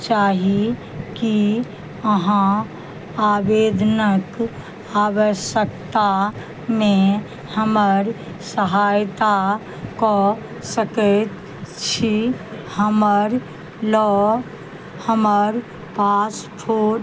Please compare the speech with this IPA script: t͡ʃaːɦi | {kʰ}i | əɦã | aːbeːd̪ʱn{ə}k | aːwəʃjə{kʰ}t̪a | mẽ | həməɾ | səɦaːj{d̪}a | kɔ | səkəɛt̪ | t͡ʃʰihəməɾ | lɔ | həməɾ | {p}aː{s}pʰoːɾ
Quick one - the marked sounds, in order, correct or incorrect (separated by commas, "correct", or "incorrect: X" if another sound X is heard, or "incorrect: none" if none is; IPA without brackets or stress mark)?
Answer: incorrect: k, correct, incorrect: k, incorrect: t̪, correct, correct